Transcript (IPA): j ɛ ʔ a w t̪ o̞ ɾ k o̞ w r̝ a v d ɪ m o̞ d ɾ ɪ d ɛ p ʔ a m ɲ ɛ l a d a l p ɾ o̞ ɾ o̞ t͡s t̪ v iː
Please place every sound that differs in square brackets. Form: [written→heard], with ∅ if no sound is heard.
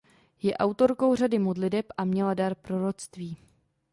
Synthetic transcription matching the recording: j ɛ ʔ a w t̪ o̞ ɾ k o̞ w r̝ a [v→∅] d ɪ m o̞ d [ɾ→l] ɪ d ɛ p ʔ a m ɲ ɛ l a d a [l→ɾ] p ɾ o̞ ɾ o̞ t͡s t̪ v iː